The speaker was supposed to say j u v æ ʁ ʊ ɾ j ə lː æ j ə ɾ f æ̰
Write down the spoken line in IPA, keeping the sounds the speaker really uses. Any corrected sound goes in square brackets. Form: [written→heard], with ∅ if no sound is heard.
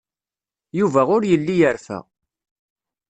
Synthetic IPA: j u v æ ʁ ʊ ɾ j ə lː [æ→i] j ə ɾ f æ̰